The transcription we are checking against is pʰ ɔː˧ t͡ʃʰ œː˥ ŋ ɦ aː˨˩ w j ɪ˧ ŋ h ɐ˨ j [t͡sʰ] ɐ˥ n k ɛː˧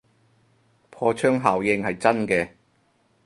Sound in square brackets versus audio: incorrect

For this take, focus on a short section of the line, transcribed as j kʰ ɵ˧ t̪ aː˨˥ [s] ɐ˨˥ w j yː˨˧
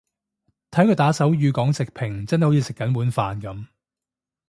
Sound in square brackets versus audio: correct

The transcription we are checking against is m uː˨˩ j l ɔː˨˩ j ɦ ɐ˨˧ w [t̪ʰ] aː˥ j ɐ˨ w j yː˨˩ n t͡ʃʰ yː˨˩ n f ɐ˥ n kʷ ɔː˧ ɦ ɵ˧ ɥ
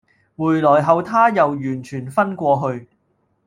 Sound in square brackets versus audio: correct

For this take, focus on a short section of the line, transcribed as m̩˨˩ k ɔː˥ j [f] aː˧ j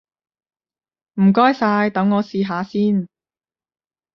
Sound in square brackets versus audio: incorrect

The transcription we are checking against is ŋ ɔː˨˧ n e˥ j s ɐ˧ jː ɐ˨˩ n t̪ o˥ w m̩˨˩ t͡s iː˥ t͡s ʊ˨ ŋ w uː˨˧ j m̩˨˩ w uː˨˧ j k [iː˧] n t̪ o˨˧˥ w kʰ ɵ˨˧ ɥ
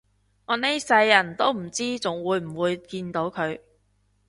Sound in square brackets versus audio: correct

